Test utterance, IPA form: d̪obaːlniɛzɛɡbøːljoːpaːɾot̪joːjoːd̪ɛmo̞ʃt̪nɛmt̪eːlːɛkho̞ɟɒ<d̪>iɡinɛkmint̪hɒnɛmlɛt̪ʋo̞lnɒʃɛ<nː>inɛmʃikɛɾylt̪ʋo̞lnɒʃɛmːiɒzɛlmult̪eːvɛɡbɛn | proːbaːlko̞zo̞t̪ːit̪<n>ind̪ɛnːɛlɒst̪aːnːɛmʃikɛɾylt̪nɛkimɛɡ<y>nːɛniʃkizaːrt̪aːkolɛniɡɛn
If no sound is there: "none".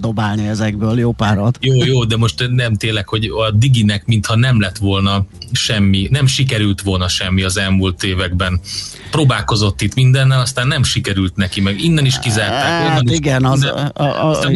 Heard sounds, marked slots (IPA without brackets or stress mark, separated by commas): d̪, mː, m, i